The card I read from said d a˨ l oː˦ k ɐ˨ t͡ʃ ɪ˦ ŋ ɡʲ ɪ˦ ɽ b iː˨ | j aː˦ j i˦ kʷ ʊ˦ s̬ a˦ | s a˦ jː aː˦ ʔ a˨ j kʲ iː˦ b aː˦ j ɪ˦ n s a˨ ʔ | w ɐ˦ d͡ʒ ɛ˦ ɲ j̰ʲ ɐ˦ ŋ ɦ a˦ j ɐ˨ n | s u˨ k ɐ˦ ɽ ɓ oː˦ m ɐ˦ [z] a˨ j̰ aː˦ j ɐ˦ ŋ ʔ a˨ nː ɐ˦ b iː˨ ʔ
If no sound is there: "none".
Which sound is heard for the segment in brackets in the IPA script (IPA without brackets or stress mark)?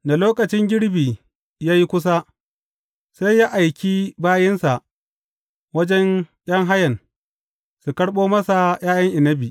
s